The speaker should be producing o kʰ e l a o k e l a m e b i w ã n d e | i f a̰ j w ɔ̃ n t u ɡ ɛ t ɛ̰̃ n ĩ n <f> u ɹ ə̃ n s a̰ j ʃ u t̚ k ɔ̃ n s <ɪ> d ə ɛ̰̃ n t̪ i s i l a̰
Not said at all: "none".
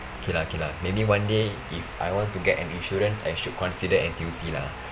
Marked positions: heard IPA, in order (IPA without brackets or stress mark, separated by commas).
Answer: ʃ, i